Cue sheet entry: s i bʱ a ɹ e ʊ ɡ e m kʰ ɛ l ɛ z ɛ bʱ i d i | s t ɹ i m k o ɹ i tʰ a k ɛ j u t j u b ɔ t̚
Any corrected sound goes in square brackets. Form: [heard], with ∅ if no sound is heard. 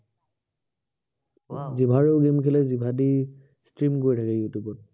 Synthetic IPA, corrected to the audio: [z] i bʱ a ɹ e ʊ ɡ e m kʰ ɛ l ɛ z [i] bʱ [a] d i | s t ɹ i m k o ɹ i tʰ a k ɛ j u t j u b ɔ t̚